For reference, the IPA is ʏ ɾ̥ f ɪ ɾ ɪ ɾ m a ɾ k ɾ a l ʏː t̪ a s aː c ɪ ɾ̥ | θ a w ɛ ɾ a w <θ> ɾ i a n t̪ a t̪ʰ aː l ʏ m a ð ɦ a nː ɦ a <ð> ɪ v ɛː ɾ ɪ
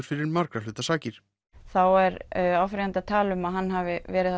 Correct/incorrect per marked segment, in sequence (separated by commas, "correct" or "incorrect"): incorrect, incorrect